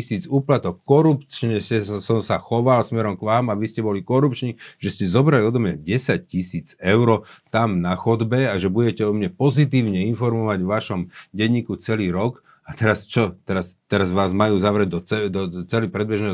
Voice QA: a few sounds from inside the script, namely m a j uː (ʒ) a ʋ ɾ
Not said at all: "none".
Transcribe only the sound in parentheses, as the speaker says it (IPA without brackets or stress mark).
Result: z